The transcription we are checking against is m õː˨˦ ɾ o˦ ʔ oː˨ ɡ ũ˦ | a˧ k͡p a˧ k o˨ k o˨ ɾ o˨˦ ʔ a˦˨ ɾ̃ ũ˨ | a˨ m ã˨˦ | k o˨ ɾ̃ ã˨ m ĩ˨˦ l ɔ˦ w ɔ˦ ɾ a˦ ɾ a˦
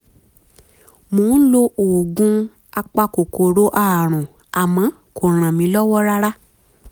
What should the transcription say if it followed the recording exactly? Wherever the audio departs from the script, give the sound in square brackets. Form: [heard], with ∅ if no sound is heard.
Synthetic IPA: m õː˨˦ [l] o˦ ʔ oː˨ ɡ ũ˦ | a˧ k͡p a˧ k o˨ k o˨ ɾ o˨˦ ʔ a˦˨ ɾ̃ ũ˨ | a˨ m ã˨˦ | k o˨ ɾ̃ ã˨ m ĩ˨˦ l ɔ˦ w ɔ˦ ɾ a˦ ɾ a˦